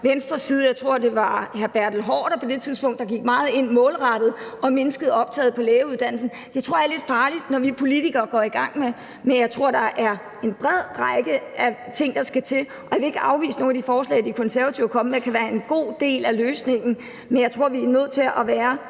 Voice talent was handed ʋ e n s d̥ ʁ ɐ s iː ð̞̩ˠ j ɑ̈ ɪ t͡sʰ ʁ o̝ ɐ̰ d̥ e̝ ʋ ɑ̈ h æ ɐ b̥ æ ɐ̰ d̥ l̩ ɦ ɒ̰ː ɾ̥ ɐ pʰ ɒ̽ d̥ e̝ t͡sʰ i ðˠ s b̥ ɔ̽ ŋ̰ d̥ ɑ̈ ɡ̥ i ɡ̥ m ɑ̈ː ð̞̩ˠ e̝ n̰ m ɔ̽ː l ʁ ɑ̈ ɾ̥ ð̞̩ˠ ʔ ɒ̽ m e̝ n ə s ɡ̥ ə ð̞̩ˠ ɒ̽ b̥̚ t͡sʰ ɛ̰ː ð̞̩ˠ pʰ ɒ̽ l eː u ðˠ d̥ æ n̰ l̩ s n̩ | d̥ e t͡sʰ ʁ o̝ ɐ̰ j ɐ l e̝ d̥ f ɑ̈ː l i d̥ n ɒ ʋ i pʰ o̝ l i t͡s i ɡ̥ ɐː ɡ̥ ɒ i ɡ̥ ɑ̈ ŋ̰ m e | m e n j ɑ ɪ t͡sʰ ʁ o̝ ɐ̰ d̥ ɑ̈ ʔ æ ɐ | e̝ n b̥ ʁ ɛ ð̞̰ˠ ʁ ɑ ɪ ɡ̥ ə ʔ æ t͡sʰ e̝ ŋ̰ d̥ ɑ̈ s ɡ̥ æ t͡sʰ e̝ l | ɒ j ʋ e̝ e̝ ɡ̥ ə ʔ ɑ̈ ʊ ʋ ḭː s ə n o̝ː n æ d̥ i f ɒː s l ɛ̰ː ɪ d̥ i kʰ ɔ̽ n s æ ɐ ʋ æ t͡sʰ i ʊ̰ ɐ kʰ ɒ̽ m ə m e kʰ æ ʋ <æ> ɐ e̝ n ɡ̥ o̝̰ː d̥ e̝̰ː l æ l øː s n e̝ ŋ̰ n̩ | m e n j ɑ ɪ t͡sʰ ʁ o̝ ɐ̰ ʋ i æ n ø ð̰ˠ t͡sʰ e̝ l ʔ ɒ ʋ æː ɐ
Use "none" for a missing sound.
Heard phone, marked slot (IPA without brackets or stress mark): æː